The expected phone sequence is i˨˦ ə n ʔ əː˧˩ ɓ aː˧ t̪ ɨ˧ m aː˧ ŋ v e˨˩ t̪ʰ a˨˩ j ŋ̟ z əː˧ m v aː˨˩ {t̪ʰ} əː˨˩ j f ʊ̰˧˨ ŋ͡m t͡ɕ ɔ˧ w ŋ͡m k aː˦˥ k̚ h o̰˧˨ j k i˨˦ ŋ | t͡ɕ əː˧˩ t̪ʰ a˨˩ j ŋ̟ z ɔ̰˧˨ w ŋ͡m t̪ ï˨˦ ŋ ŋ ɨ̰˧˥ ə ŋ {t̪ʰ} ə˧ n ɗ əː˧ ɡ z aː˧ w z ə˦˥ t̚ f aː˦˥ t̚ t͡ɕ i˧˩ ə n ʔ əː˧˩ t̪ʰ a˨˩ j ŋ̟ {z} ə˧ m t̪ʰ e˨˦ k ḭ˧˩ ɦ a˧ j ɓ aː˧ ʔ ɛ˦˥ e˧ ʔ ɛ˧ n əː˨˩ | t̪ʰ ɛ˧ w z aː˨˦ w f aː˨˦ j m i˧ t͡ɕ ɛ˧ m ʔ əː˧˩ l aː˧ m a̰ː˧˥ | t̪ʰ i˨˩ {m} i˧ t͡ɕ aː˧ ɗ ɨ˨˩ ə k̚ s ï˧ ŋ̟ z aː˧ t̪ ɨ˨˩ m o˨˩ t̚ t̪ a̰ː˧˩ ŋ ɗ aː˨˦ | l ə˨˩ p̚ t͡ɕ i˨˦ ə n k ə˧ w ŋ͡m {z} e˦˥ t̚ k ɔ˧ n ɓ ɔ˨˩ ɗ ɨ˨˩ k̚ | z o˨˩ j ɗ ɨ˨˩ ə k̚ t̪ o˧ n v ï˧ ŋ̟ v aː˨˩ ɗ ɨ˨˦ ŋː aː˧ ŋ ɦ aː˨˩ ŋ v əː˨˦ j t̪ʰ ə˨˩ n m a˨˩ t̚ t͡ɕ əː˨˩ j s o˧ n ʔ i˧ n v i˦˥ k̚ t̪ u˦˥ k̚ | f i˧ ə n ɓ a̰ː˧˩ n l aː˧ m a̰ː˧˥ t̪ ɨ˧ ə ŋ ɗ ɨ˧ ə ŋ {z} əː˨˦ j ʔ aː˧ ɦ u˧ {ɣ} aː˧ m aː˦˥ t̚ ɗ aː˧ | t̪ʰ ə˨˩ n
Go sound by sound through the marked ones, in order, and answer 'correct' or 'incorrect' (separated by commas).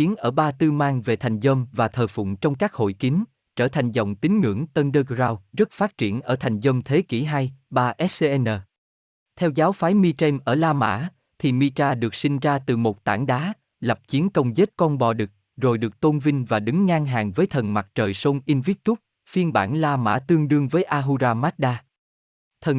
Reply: correct, incorrect, correct, correct, correct, incorrect, incorrect